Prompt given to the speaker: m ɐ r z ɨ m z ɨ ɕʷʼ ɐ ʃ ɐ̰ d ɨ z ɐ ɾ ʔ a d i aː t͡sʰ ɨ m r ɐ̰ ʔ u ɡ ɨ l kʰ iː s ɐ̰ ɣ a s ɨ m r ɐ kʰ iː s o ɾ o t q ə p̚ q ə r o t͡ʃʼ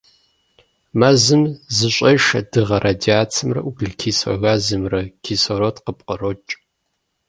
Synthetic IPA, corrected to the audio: m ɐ z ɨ m z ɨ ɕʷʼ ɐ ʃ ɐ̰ d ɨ ʁ ɐ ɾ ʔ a d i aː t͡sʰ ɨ m r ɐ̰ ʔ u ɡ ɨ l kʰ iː s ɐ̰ ɣ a z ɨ m r ɐ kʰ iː s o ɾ o t q ə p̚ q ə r o t͡ʃʼ